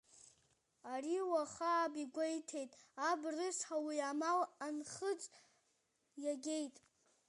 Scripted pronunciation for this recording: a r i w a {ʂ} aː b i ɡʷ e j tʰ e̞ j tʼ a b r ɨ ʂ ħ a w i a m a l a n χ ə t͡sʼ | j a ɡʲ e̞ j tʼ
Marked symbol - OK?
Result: no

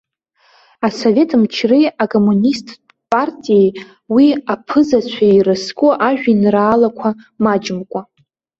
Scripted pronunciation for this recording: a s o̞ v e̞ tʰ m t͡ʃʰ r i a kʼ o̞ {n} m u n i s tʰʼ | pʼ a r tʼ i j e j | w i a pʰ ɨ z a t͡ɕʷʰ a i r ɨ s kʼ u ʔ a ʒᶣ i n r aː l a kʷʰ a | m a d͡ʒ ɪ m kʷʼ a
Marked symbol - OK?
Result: no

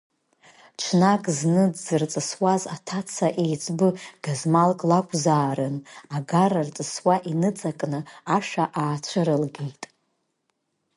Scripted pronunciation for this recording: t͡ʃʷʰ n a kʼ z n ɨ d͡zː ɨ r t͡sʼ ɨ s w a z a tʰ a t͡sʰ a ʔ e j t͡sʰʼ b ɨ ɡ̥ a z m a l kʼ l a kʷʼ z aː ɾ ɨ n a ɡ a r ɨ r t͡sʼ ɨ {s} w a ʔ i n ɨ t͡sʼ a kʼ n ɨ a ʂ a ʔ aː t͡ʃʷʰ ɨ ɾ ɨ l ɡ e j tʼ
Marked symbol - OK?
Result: yes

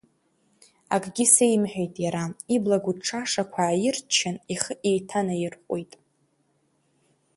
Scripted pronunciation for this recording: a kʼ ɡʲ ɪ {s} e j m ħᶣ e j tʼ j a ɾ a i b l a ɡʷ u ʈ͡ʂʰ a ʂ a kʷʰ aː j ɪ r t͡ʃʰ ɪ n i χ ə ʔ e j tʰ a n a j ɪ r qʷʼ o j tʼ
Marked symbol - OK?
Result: yes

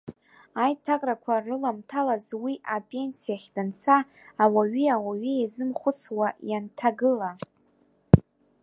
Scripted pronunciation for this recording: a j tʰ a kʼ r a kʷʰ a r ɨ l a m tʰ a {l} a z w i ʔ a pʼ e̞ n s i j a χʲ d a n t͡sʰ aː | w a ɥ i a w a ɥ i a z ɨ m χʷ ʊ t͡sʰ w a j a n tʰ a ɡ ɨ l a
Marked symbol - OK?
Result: yes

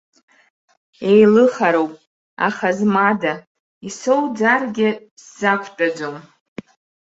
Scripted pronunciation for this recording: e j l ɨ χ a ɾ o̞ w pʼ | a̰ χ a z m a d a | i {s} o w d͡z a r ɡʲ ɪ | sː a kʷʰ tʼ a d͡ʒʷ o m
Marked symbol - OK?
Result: yes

